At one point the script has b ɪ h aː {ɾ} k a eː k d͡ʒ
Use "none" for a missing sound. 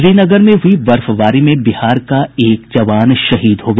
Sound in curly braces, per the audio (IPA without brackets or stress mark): ɾ